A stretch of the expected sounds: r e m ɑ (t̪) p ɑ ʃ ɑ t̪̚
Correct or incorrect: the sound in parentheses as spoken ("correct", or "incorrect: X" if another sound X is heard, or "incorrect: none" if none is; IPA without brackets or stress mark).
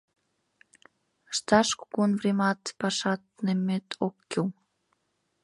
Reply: correct